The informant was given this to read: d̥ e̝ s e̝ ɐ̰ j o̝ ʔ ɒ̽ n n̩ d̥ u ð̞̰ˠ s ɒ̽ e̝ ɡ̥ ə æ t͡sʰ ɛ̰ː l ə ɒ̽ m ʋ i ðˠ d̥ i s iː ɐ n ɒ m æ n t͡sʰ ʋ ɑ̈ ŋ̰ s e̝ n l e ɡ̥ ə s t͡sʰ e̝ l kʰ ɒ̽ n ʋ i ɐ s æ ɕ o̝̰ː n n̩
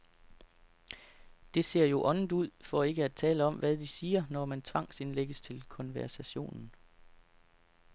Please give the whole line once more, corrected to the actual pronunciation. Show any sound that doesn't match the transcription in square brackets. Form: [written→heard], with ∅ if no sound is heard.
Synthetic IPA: d̥ e̝ s e̝ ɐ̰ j o̝ ʔ ɒ̽ n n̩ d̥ u ð̞̰ˠ [s→f] ɒ̽ e̝ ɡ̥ ə æ t͡sʰ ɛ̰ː l ə ɒ̽ m ʋ [i→æ] ðˠ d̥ i s iː ɐ n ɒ m æ n t͡sʰ ʋ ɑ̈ ŋ̰ s e̝ n l e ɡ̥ ə s t͡sʰ e̝ l kʰ ɒ̽ n ʋ [i→æ] ɐ s æ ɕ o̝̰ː n n̩